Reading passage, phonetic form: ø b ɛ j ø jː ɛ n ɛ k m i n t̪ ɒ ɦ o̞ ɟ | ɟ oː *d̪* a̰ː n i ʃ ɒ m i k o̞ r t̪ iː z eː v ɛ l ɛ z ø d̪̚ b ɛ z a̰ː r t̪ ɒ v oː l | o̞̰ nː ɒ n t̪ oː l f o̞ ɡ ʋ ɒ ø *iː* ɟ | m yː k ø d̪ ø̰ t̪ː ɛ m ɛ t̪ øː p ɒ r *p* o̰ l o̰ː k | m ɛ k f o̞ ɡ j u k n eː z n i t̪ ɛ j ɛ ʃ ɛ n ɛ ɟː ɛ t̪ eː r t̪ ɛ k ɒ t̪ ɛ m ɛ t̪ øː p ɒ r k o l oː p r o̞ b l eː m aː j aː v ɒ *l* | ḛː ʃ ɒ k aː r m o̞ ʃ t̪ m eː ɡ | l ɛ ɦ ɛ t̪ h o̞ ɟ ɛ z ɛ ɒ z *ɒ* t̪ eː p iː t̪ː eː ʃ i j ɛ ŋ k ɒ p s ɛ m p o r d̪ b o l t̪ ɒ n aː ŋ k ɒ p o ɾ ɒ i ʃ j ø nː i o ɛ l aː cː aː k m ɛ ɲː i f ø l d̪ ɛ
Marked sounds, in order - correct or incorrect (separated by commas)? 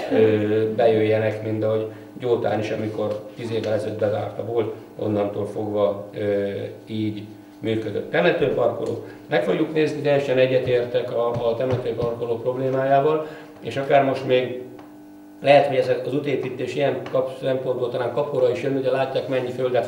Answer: incorrect, correct, incorrect, correct, incorrect